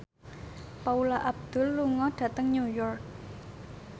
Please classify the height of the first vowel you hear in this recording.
low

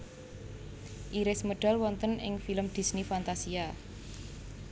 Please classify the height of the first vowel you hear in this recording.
high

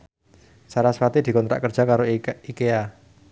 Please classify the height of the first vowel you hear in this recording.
low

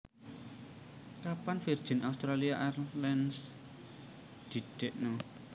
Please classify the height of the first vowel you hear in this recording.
low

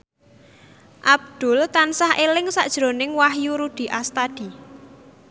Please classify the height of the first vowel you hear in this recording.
low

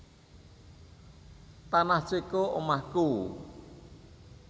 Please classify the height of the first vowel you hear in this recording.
low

